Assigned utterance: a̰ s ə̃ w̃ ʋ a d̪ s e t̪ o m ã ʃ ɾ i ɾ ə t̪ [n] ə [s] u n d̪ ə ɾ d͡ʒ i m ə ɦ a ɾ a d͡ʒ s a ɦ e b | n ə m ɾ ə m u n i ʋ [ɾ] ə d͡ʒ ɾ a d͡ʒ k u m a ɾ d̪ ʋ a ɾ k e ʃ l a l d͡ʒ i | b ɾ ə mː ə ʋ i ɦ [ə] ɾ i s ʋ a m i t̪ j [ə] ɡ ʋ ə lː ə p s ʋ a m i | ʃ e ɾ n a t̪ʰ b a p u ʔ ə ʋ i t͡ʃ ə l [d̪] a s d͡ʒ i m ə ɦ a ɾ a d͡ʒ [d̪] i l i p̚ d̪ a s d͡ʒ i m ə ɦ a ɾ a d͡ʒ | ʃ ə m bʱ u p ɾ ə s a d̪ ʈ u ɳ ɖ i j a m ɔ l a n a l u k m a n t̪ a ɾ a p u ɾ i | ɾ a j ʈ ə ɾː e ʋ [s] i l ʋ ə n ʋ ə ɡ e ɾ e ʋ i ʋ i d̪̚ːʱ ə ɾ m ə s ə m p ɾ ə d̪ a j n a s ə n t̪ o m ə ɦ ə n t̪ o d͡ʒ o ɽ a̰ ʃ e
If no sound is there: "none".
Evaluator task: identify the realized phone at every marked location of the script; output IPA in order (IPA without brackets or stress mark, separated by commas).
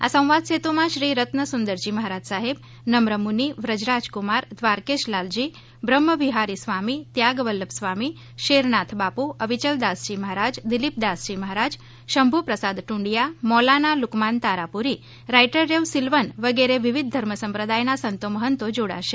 n, s, ɾ, a, a, d̪, d̪, s